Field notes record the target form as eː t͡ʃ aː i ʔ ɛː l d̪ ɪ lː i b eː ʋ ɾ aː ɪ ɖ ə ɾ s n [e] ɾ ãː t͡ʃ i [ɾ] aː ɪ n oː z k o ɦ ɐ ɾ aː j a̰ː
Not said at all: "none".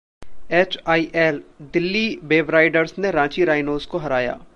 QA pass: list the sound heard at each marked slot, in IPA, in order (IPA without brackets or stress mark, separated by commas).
e, ɾ